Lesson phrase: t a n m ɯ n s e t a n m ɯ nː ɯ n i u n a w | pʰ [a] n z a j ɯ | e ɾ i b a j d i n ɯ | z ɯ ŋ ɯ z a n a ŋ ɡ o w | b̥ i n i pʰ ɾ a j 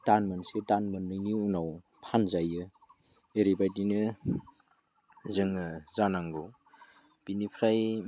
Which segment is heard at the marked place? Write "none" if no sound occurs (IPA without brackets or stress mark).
a